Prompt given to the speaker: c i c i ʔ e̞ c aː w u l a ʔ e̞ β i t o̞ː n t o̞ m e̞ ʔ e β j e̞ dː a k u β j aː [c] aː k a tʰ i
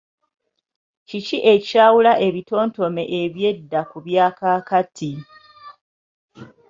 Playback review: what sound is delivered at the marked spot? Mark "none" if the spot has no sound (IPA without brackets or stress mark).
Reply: k